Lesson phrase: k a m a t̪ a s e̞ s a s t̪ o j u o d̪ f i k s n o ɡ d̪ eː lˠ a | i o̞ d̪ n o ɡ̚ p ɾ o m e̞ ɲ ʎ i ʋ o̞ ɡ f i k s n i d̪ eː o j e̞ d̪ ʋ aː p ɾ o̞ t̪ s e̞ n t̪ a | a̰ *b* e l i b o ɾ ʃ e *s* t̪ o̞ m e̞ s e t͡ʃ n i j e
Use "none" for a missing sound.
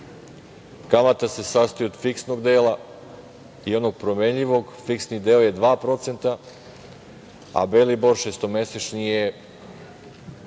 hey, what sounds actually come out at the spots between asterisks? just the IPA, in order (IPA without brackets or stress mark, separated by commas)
b, s